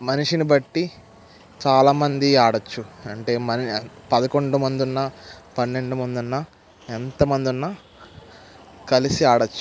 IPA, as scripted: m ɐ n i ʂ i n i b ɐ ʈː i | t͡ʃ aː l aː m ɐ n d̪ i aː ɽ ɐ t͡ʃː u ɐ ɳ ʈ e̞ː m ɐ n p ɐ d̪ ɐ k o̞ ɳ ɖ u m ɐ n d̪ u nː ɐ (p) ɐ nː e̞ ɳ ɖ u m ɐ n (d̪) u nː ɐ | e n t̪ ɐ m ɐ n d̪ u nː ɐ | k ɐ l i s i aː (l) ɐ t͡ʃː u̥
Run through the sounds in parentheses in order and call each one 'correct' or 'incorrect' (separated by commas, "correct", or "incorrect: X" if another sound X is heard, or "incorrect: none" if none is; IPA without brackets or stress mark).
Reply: correct, correct, incorrect: ɽ